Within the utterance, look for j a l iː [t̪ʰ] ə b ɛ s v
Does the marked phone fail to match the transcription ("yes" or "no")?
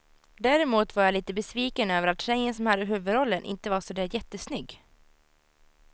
yes